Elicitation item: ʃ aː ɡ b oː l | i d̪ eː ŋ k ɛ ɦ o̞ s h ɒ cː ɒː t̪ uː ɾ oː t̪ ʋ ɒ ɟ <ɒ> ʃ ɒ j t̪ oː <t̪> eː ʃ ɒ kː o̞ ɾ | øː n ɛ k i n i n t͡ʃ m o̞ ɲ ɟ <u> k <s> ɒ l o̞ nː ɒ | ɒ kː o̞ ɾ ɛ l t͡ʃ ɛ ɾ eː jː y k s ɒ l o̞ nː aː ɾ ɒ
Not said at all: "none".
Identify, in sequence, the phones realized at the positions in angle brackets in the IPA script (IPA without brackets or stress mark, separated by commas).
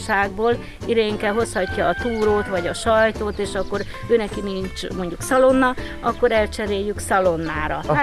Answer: ɒ, t̪, u, s